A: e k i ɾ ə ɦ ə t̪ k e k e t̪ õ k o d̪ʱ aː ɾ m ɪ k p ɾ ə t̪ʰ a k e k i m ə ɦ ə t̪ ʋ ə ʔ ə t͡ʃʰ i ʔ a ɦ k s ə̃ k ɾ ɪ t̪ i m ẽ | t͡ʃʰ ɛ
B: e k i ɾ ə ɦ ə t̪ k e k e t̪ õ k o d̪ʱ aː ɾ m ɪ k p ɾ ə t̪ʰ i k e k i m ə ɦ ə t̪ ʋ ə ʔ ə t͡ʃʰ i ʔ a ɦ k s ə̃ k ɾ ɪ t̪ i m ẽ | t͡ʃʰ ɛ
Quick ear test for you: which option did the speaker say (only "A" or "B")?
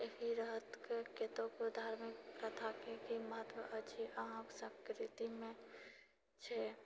A